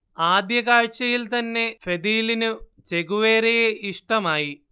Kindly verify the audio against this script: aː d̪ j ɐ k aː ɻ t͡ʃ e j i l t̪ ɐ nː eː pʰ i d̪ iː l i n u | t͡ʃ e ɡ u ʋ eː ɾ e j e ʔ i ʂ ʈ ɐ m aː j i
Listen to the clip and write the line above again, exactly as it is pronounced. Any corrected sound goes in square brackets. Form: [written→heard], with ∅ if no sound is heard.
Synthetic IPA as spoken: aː d̪ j ɐ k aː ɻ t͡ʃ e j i l t̪ ɐ nː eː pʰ [i→e] d̪ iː l i n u | t͡ʃ e ɡ u ʋ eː ɾ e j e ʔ i ʂ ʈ ɐ m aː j i